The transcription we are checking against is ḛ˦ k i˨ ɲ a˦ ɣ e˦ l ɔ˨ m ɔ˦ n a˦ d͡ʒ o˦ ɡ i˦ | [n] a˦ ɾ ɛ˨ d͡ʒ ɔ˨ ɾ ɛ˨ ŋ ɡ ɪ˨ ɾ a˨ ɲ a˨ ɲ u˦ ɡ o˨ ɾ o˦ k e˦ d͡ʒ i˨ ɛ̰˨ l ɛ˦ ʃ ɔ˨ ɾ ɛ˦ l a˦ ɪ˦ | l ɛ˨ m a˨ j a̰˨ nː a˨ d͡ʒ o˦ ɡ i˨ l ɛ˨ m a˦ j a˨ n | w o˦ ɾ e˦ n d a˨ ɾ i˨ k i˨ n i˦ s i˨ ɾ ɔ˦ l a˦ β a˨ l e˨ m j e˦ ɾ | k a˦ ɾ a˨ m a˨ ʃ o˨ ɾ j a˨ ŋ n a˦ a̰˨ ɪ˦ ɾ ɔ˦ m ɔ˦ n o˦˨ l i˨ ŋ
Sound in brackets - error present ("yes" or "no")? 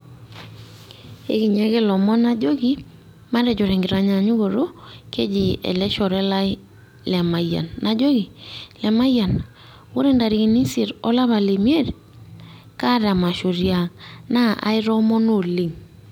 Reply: yes